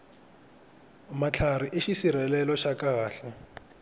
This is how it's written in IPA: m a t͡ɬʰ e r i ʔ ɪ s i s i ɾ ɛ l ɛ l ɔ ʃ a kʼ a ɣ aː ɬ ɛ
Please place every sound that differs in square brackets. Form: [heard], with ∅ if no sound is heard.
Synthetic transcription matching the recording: m a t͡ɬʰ [a] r i ʔ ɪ [ʃ] i s i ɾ ɛ l ɛ l ɔ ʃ a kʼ a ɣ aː ɬ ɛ